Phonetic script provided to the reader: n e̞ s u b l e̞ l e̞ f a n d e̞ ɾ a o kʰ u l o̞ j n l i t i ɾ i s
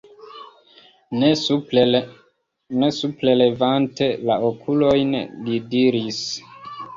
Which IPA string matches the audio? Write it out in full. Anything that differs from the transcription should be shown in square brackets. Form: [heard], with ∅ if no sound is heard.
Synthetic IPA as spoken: n e̞ s u [p] l e̞ l e̞ [v] a n [t] e̞ [l] a o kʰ u l o̞ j n l i [d] i ɾ i s